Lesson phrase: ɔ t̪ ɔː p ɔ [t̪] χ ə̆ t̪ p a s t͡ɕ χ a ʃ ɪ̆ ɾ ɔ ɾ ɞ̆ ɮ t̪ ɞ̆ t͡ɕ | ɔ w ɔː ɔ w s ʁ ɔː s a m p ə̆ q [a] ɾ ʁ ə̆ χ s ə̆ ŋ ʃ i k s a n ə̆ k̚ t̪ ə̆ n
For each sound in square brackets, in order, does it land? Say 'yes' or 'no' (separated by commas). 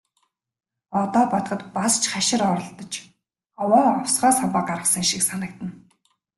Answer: yes, yes